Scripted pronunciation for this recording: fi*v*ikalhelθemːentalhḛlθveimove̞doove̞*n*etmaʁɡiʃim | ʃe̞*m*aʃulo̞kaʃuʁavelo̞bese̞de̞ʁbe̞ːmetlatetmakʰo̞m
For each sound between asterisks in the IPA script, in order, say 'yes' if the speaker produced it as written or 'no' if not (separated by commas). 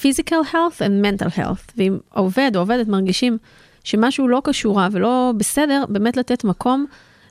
no, no, yes